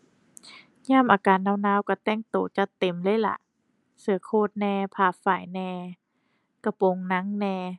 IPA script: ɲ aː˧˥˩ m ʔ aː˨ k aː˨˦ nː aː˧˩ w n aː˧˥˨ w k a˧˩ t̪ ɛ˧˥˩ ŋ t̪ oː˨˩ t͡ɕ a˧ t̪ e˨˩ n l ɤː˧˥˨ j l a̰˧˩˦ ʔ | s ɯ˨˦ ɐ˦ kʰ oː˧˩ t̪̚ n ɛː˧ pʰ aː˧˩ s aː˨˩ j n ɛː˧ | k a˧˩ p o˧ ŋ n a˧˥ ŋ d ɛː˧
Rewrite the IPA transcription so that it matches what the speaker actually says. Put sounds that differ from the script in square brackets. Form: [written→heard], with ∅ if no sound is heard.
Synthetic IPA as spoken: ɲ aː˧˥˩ m ʔ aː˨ k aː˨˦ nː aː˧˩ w n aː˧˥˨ w k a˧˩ t̪ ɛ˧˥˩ ŋ t̪ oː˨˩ t͡ɕ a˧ t̪ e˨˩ [n→m] l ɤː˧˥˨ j l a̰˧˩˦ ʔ | s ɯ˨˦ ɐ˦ kʰ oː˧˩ t̪̚ n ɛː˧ pʰ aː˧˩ [s→f] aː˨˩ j n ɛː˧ | k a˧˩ p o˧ ŋ n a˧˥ ŋ [d→n] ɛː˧